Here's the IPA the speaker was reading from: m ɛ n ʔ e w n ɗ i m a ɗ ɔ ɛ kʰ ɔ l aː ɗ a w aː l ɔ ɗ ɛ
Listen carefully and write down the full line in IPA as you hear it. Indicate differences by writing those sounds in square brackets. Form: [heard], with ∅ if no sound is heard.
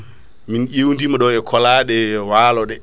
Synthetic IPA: m [i] n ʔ e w n [d] i m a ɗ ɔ ɛ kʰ ɔ l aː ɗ [ɛ] w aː l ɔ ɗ ɛ

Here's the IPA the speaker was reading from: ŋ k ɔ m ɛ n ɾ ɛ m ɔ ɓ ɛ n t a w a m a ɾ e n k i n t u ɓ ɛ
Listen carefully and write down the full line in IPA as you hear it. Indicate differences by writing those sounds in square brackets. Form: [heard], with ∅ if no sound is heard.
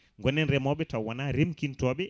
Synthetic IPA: ŋ [ɡ] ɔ [n] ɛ n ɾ ɛ m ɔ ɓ ɛ [∅] t a w a [n] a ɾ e [m] k i n t [ɔ] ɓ ɛ

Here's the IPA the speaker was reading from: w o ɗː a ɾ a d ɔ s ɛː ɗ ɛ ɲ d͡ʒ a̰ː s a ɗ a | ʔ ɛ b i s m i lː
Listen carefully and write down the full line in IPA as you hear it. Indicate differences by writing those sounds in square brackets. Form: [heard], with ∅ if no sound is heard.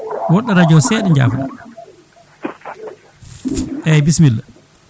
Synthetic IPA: w [ɔ] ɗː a ɾ a [d͡ʒ] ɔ s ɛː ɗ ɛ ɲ d͡ʒ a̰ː [f] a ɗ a | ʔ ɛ b i s m i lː

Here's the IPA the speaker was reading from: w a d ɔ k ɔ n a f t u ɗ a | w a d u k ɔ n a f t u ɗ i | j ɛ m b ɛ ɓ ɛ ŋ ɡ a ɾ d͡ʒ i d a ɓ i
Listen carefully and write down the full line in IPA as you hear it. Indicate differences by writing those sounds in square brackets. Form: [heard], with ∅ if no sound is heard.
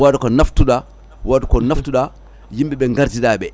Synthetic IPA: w a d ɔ k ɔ n a f t u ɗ a | w a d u k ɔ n a f t u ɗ [a] | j [i] m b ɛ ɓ ɛ ŋ ɡ a ɾ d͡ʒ i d a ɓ [ɛ]

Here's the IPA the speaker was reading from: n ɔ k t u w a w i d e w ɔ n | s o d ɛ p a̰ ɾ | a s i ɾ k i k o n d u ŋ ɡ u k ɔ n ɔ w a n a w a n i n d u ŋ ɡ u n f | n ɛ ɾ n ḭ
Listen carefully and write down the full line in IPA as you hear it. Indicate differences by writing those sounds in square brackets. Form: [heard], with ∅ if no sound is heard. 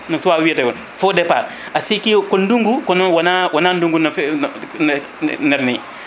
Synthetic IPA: n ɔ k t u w a w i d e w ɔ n | [f] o d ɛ p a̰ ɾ | a s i [∅] k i k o n d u ŋ ɡ u k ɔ n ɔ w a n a w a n [a] n d u ŋ ɡ u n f | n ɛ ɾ n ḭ

